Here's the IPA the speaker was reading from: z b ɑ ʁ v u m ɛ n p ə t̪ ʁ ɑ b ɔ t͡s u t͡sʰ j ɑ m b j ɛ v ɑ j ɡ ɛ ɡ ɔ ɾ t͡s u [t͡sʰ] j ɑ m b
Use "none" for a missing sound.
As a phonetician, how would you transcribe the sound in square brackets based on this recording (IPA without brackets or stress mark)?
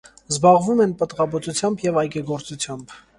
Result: t͡sʰ